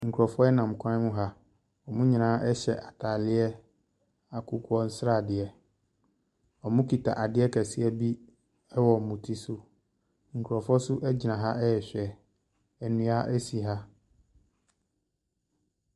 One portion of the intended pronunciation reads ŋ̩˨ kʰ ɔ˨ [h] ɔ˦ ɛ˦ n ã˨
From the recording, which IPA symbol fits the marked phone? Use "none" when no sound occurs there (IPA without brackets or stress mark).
f